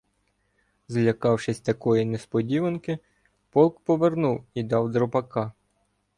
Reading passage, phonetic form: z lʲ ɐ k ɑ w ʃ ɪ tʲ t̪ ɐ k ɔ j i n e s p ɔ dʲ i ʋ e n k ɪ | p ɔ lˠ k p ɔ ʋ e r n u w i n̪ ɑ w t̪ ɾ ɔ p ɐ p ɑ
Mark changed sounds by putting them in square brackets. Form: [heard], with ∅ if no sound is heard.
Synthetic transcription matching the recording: z lʲ ɐ k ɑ w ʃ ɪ [sʲ] t̪ ɐ k ɔ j i n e s p ɔ dʲ i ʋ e n k ɪ | p ɔ lˠ k p ɔ ʋ e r n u w i [d̪] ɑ w [d̪] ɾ ɔ p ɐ [k] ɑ